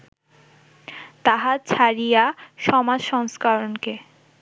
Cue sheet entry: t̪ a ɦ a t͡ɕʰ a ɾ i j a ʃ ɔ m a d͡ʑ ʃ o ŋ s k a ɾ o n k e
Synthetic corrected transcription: t̪ a ɦ a t͡ɕʰ a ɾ i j a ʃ ɔ m a d͡ʑ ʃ ɔ ŋ s k a ɾ o n k e